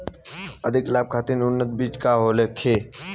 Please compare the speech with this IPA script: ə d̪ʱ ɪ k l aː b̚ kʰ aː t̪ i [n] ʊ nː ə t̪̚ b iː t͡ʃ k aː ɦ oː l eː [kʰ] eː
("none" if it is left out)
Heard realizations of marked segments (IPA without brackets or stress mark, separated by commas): n, kʰ